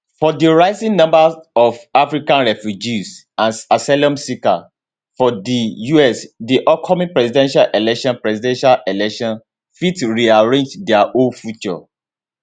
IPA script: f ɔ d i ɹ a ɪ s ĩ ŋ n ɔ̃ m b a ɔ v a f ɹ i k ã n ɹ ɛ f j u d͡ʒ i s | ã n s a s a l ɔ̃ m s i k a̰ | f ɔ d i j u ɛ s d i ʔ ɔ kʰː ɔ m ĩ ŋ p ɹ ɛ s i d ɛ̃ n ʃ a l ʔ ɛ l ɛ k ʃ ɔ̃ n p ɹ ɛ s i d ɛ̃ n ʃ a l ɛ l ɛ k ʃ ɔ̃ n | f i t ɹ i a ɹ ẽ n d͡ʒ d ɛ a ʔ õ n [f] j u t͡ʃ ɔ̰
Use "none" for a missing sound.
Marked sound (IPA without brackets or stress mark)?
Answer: f